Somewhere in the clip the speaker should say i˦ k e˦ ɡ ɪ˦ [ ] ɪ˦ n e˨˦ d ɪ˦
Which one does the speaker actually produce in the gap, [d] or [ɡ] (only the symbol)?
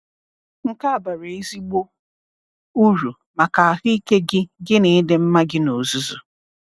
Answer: ɡ